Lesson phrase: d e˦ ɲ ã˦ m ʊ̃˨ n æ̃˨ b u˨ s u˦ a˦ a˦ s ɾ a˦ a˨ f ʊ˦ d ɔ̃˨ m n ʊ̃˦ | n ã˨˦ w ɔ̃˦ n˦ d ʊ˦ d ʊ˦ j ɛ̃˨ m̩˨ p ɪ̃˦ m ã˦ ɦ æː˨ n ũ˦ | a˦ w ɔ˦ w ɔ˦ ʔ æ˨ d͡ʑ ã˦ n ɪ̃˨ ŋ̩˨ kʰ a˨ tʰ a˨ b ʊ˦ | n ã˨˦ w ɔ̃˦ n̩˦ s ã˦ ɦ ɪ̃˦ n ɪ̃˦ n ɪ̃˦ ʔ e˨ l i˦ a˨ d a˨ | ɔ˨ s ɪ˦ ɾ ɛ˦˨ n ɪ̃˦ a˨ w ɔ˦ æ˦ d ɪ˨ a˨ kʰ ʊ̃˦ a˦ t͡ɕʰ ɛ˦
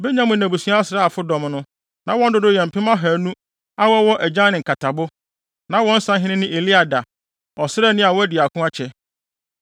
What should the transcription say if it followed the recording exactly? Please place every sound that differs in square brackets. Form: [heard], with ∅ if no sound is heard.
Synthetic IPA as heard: [b] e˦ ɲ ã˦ m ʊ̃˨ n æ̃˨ b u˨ s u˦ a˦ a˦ s ɾ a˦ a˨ f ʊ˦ d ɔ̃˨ m n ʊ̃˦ | n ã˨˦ w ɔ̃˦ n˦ d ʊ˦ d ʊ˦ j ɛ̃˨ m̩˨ p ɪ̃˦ m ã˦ ɦ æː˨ n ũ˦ | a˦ w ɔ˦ w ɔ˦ ʔ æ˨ d͡ʑ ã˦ n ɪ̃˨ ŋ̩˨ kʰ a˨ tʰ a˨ b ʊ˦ | n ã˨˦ w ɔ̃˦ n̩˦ s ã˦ ɦ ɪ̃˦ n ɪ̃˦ n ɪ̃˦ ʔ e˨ l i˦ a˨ d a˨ | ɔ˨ s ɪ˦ ɾ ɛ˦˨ n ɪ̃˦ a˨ w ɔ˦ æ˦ d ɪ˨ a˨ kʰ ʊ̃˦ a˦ t͡ɕʰ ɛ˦